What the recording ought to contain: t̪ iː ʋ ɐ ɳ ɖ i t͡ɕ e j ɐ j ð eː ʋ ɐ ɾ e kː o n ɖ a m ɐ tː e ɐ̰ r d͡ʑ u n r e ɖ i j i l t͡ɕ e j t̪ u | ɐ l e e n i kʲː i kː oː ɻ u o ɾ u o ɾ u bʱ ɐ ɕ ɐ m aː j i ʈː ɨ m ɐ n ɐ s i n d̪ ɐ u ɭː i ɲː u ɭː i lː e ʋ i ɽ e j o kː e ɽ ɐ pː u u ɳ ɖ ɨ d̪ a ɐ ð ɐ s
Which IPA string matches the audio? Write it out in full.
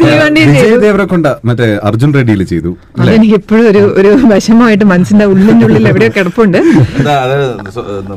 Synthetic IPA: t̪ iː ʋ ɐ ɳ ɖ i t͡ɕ e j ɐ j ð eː ʋ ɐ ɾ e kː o ɳ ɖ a m ɐ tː e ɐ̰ r d͡ʑ u n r e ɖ i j i l t͡ɕ e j t̪ u | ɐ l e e n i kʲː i pː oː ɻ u o ɾ u o ɾ u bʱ ɐ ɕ ɐ m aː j i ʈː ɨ m ɐ n ɐ s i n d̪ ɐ u ɭː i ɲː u ɭː i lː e ʋ i ɽ e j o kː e ɽ ɐ pː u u ɳ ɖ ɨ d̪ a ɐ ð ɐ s